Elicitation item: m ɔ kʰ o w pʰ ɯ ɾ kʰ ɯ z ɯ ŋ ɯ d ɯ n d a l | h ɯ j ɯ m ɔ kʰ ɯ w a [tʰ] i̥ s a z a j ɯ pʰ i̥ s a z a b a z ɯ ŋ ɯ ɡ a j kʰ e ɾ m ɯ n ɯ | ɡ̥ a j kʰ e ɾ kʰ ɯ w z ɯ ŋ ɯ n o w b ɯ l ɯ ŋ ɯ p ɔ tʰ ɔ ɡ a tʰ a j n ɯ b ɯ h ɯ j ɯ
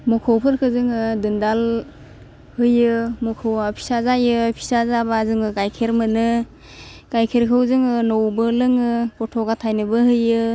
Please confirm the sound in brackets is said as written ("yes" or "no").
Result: no